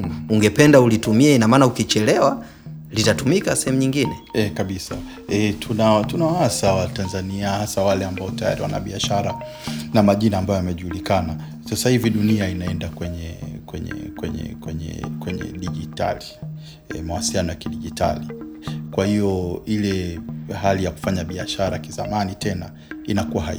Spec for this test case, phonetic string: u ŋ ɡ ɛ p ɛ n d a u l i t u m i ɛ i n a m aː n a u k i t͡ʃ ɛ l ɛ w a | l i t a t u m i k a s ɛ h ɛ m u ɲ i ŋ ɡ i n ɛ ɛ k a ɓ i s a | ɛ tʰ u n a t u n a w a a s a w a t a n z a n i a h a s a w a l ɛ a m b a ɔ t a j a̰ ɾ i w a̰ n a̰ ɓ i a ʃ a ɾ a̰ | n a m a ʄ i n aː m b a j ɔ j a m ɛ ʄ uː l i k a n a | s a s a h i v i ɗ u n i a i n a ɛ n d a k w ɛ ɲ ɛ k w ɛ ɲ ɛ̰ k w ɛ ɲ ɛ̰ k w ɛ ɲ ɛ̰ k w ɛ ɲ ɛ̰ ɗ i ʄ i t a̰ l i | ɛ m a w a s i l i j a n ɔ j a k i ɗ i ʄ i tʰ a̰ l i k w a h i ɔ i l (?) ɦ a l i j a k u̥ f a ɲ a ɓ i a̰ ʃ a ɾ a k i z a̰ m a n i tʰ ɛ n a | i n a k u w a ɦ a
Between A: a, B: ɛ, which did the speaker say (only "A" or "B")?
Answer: B